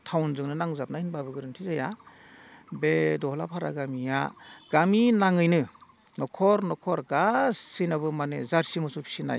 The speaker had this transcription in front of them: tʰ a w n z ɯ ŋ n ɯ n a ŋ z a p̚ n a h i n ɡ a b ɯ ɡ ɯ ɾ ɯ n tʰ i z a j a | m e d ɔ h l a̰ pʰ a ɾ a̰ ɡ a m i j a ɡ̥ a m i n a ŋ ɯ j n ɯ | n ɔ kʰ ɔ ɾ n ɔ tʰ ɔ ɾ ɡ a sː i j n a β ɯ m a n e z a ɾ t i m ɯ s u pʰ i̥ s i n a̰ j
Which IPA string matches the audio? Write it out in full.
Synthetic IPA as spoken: tʰ a w n z ɯ ŋ n ɯ n a ŋ z a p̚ n a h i n b a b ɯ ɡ ɯ ɾ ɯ n tʰ i z a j a | b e d ɔ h l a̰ pʰ a ɾ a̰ ɡ a m i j a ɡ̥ a m i n a ŋ ɯ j n ɯ | n ɔ kʰ ɔ ɾ n ɔ kʰ ɔ ɾ ɡ a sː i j n a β ɯ m a n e z a ɾ s i m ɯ s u pʰ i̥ s i n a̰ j